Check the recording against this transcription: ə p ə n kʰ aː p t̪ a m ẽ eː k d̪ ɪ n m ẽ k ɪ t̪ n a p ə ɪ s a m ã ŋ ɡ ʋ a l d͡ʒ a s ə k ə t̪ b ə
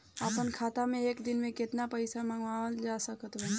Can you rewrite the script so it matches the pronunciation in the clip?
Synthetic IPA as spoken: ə p ə n kʰ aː t̪ a m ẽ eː k d̪ ɪ n m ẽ k ɪ t̪ n a p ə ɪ s a m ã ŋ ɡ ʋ a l d͡ʒ a s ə k ə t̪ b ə